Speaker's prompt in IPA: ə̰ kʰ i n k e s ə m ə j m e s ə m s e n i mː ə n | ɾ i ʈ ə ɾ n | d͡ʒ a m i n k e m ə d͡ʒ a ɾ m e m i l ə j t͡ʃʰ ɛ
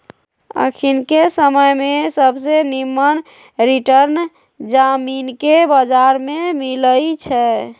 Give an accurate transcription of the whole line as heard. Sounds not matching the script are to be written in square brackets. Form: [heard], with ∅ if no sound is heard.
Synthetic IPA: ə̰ kʰ i n k e s ə m ə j m e s ə [b] s e n i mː ə n | ɾ i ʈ ə ɾ n | d͡ʒ a m i n k e [b] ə d͡ʒ a ɾ m e m i l ə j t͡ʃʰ ɛ